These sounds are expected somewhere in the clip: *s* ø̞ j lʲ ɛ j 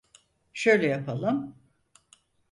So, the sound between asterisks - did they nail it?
no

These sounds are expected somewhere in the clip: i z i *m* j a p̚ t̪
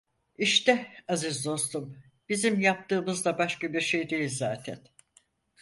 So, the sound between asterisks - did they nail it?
yes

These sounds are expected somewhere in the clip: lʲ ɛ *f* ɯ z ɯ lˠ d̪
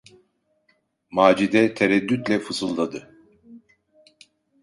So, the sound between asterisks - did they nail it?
yes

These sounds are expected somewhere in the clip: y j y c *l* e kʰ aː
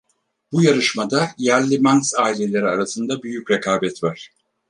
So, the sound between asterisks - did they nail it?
no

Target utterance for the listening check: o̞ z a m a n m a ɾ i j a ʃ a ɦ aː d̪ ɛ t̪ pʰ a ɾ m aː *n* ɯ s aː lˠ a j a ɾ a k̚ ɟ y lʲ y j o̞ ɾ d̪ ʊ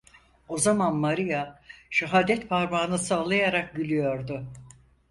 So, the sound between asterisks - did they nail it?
yes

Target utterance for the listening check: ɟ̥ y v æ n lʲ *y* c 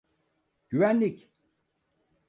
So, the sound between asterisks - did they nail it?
no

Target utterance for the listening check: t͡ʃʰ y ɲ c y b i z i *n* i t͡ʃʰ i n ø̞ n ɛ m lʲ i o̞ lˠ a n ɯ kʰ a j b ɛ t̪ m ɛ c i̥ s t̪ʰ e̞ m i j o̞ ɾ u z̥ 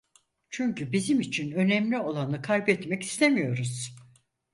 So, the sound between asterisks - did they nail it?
no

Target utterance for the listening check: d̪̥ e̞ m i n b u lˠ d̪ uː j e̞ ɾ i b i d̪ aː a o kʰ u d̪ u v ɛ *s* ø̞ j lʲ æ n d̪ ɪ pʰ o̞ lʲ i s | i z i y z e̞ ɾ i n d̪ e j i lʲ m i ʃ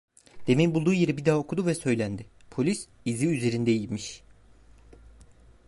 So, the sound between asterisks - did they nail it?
yes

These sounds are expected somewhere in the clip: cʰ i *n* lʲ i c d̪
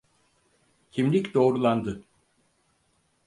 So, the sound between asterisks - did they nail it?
no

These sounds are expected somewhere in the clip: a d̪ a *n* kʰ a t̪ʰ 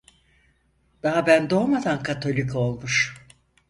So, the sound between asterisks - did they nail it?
yes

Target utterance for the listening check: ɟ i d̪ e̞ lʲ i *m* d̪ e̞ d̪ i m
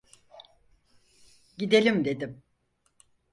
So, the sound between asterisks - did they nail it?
yes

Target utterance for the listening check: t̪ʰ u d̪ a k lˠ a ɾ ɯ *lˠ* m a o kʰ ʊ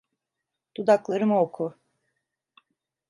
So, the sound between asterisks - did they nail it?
no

